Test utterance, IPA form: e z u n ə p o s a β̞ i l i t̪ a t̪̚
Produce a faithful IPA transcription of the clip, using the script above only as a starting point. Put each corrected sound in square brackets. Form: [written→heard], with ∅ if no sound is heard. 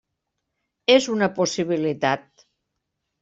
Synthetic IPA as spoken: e z u n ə p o s [a→i] β̞ i l i t̪ a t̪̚